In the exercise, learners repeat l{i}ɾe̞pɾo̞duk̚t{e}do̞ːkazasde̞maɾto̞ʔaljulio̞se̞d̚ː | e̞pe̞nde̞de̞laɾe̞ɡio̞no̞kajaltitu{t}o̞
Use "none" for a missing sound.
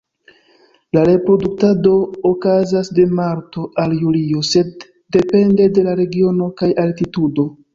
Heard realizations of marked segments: a, a, d

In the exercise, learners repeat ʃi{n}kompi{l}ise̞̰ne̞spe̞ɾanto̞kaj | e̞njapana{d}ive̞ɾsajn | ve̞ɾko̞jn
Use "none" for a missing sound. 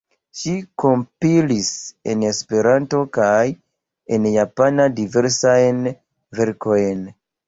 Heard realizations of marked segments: none, l, d

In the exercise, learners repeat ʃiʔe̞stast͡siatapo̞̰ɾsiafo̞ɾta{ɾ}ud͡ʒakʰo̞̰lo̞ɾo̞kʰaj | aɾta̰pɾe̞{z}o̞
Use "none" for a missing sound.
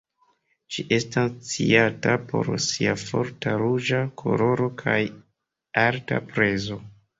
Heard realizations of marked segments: ɾ, z

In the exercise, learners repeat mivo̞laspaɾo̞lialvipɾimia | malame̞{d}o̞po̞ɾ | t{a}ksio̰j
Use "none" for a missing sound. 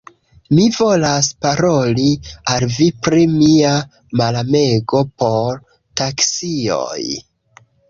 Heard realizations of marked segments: ɡ, a

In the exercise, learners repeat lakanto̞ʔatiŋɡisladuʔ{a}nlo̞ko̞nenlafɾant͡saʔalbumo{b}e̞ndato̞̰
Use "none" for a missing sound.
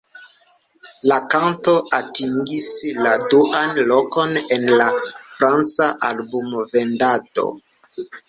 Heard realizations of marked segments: a, v

